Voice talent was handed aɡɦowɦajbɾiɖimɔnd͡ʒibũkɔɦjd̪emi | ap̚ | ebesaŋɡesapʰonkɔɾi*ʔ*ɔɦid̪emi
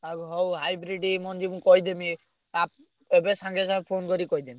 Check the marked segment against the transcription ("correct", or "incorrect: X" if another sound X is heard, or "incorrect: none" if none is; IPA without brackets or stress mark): incorrect: k